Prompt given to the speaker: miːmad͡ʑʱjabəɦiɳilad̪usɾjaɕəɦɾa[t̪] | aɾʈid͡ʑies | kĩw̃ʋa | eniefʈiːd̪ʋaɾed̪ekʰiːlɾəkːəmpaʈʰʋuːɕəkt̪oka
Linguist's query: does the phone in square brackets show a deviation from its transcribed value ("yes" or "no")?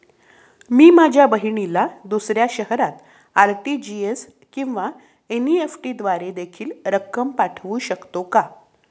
no